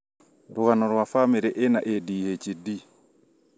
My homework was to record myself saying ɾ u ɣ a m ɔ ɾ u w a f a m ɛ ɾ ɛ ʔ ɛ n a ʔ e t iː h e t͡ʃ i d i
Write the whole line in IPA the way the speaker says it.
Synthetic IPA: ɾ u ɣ a n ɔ ɾ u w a f a m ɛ ɾ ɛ ʔ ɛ n a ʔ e d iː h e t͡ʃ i d i